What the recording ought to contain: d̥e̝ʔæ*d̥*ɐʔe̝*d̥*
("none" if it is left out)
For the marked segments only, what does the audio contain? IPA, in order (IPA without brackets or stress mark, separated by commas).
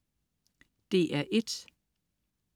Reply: none, d̥